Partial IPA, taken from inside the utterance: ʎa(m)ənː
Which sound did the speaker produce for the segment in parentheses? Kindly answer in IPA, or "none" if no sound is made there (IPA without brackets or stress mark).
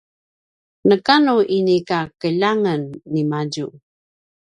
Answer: ŋ